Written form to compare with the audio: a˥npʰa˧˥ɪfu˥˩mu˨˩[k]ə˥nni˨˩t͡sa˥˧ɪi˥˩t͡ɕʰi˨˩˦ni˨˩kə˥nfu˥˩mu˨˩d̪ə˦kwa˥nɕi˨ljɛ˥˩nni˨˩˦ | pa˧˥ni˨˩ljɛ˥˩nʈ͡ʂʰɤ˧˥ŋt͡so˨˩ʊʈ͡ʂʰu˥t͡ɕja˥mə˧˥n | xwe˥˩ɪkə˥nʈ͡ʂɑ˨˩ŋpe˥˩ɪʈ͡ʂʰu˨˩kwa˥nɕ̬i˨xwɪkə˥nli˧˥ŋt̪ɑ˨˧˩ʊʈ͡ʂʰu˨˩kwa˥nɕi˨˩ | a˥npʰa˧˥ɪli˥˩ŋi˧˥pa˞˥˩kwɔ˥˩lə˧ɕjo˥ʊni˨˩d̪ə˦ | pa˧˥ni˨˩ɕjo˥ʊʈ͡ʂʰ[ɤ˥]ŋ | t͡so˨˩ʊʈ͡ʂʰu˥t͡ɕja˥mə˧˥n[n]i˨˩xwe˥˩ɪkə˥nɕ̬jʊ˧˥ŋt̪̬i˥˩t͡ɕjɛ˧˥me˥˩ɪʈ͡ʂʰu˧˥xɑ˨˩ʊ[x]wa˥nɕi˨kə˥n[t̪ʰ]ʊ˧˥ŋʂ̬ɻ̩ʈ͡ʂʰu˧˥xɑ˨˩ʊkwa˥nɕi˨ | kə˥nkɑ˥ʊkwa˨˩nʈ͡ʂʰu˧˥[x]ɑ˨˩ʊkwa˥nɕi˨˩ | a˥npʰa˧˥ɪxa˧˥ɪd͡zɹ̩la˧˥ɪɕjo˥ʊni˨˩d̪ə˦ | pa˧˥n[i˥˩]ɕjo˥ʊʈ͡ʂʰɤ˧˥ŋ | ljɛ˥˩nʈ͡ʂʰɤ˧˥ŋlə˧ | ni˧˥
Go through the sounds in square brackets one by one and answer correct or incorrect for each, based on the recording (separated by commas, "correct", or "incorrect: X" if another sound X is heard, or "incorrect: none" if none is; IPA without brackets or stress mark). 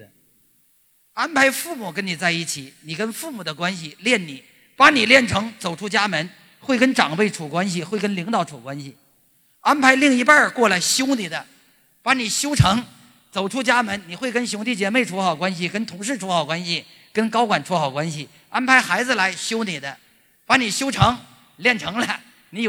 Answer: correct, incorrect: ɤ˧˥, correct, incorrect: k, correct, correct, incorrect: i˨˩